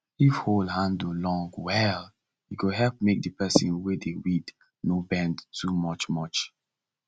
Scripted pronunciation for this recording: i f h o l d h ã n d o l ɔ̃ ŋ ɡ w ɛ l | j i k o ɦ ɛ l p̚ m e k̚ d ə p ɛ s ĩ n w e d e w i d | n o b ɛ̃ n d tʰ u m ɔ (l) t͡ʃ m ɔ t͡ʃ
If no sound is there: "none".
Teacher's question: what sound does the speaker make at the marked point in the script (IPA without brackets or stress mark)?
none